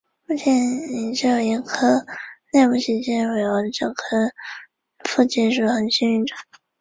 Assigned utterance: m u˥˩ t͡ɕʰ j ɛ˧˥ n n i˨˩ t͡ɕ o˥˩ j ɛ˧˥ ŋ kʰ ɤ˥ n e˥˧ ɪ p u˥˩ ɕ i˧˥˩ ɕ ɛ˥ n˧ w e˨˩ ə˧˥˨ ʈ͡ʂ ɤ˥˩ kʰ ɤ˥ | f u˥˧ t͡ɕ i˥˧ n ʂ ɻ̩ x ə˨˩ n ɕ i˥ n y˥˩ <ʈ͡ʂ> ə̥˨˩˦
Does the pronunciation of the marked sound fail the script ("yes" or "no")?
no